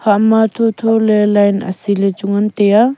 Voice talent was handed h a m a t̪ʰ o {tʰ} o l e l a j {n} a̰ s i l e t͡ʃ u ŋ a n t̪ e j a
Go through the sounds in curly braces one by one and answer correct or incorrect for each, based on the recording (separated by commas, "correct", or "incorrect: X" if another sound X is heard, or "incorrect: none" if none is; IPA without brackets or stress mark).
correct, correct